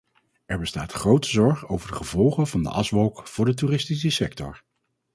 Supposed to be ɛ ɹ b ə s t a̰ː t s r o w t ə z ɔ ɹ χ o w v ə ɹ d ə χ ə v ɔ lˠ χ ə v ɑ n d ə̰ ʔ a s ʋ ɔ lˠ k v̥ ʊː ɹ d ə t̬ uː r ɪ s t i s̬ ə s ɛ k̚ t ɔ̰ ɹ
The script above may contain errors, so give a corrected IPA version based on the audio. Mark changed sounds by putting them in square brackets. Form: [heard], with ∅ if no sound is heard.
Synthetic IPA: ɛ ɹ b ə s t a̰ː t [χ] r o w t ə z ɔ ɹ χ o w v ə ɹ d ə χ ə v ɔ lˠ χ ə v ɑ n d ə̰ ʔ [ɑ] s ʋ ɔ lˠ k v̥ ʊː ɹ d ə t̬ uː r ɪ s t i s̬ ə s ɛ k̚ t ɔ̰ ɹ